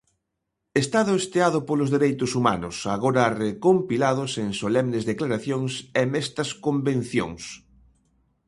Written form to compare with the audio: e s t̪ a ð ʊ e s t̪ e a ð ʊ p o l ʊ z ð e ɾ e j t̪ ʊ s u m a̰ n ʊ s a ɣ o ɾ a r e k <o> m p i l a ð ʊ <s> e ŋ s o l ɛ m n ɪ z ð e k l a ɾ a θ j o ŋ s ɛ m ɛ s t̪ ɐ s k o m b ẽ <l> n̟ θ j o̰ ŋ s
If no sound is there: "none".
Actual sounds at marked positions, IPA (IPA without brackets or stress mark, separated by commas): o, s, none